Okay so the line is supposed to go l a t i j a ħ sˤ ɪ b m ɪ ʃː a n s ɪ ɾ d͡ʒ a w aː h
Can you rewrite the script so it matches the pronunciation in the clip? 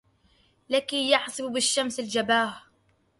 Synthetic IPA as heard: l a k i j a ħ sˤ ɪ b b ɪ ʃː a m s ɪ l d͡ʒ a b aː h